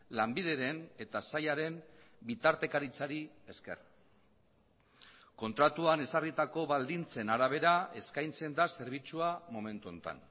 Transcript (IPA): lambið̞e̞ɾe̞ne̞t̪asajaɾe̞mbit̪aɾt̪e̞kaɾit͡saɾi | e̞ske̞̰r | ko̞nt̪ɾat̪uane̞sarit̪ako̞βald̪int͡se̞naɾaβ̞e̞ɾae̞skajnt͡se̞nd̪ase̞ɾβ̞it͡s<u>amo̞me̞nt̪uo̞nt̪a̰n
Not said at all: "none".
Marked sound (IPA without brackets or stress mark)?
u